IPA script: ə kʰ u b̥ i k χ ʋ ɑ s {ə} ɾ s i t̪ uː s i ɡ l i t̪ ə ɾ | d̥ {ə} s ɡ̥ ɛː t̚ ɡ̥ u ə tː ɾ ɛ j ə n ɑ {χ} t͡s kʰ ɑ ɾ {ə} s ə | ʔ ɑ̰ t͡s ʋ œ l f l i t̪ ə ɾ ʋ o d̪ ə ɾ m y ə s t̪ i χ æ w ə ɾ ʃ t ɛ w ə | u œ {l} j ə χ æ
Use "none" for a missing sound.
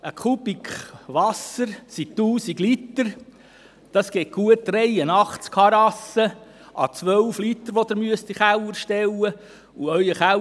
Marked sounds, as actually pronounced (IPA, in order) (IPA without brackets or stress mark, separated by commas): ə, ɑ, χ, ɑ, none